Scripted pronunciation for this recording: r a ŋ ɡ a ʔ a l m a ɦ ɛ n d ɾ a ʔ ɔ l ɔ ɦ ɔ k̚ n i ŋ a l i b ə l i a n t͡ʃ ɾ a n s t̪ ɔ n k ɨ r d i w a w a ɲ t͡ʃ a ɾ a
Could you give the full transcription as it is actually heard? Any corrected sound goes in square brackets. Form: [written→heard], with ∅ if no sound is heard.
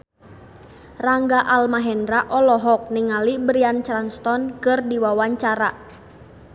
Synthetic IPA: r a ŋ ɡ a ʔ a l m a ɦ ɛ n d ɾ a ʔ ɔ l ɔ ɦ ɔ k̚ n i ŋ a l i b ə [l→ɾ] i a n t͡ʃ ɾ a n s t̪ ɔ n k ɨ r d i w a w a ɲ t͡ʃ a ɾ a

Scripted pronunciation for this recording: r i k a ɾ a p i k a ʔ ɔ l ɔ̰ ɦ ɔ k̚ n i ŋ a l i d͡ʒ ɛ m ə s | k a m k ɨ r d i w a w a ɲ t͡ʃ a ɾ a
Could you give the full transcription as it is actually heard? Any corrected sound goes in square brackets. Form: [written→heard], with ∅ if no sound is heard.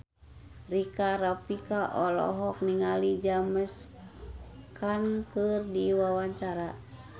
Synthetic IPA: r i k a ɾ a p i k a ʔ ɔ l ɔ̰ ɦ ɔ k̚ n i ŋ a l i d͡ʒ [ɛ→a] m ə s | k a [m→n] k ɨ r d i w a w a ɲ t͡ʃ a ɾ a

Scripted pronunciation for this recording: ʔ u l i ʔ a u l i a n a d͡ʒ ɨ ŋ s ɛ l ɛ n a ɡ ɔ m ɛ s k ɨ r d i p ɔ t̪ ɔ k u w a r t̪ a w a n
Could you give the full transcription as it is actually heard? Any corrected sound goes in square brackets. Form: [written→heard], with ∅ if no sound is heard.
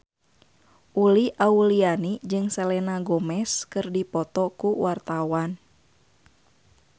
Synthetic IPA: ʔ u l i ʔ a u l i a n [a→i] d͡ʒ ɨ ŋ s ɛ l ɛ n a ɡ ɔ m ɛ s k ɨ r d i p ɔ t̪ ɔ k u w a r t̪ a w a n

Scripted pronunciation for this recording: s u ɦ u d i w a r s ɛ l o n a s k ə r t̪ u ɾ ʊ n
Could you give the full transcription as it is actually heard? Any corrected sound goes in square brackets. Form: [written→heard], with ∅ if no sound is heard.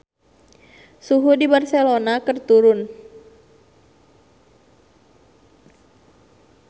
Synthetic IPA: s u ɦ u d i [w→b] a r s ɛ l o n a [s→∅] k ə r t̪ u ɾ ʊ n

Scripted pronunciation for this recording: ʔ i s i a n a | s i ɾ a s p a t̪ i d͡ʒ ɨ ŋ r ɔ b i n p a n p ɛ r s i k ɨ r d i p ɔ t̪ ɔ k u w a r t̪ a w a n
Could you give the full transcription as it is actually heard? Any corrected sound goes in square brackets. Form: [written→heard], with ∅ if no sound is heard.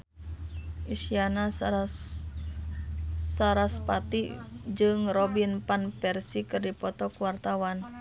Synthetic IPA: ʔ i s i a n a | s [i→a] ɾ a s p a t̪ i d͡ʒ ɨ ŋ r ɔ b i n p a n p ɛ r s i k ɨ r d i p ɔ t̪ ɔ k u w a r t̪ a w a n

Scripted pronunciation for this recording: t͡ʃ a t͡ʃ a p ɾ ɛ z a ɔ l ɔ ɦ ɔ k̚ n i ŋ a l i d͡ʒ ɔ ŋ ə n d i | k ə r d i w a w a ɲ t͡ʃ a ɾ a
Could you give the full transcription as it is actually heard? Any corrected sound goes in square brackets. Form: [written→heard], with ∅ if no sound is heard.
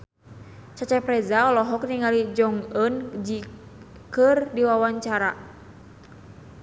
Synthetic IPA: t͡ʃ a t͡ʃ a p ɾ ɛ z a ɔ l ɔ ɦ ɔ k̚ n i ŋ a l i d͡ʒ ɔ ŋ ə n [d→d͡ʒ] i | k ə r d i w a w a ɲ t͡ʃ a ɾ a

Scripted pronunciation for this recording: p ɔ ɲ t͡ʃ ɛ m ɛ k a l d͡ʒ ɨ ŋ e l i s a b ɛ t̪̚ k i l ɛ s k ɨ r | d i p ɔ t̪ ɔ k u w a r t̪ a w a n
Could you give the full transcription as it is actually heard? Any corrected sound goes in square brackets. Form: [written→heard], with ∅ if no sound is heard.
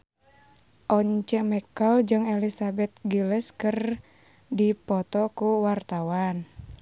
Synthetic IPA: [p→ʔ] ɔ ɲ t͡ʃ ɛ m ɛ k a l d͡ʒ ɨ ŋ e l i s a b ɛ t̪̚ [k→ɡ] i l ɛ s k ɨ r | d i p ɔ t̪ ɔ k u w a r t̪ a w a n

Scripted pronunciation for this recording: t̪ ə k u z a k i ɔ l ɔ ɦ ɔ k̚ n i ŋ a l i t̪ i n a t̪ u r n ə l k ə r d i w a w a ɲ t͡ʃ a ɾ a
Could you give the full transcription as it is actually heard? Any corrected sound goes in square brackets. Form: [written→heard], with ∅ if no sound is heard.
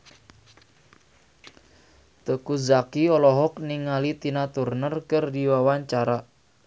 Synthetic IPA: t̪ ə k u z a k i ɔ l ɔ ɦ ɔ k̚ n i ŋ a l i t̪ i n a t̪ u r n ə [l→r] k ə r d i w a w a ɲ t͡ʃ a ɾ a

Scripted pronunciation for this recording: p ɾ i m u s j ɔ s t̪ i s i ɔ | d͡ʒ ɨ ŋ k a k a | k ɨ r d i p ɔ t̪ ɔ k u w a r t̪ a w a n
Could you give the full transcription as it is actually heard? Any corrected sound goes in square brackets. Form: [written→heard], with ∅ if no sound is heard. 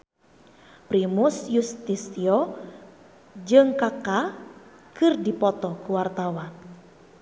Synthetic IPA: p ɾ i m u s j [ɔ→u] s t̪ i s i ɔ | d͡ʒ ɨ ŋ k a k a | k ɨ r d i p ɔ t̪ ɔ k u w a r t̪ a w a n

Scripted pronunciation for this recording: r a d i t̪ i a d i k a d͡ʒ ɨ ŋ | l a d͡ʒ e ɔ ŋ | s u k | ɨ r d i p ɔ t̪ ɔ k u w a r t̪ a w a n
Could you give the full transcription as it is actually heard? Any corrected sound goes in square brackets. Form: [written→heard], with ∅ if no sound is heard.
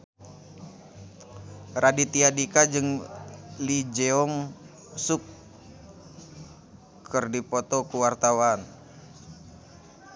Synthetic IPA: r a d i t̪ i a d i k a d͡ʒ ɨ ŋ | l [a→i] d͡ʒ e ɔ ŋ | s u k | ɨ r d i p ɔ t̪ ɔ k u w a r t̪ a w a n

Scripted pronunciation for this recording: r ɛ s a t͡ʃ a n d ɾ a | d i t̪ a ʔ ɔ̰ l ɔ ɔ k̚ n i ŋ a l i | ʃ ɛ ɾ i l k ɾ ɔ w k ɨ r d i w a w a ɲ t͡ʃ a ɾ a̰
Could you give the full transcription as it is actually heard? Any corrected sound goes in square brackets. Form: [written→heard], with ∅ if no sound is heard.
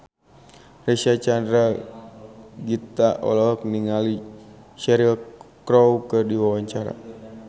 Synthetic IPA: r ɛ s a t͡ʃ a n d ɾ a | [d→ɡ] i t̪ a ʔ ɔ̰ l ɔ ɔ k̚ n i ŋ a l i | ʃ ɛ ɾ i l k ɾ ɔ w k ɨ r d i w a w a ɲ t͡ʃ a ɾ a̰

